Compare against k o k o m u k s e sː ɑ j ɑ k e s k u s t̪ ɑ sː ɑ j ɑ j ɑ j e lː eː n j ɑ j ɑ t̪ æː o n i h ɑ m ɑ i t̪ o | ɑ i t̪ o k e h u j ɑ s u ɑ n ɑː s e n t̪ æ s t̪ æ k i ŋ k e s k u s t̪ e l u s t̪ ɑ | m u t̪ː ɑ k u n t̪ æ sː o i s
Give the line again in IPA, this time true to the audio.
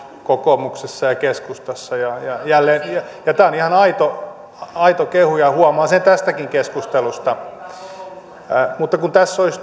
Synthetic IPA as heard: k o k o m u k s e sː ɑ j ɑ k e s k u s t̪ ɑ sː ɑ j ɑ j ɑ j æ lː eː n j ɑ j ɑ t̪ æː o n i h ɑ n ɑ i t̪ o | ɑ i t̪ o k e h u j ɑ h u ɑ m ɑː s e n t̪ æ s t̪ æ k i ŋ k e s k u s t̪ e l u s t̪ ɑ | m u t̪ː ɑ k u n t̪ æ sː o i s